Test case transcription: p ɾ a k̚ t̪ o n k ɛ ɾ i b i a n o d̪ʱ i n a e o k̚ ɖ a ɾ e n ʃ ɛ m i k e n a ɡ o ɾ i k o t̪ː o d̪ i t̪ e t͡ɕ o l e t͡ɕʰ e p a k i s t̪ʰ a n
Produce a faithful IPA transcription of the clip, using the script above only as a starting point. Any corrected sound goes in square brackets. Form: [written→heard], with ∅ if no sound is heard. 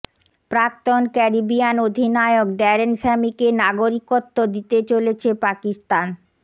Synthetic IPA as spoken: p ɾ a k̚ t̪ o n k ɛ ɾ i b i a n o d̪ʱ i n a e o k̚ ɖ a ɾ e n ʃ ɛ m i k e n a ɡ o ɾ i k o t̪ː o d̪ i t̪ e t͡ɕ o l e t͡ɕʰ e p a k i s [t̪ʰ→t̪] a n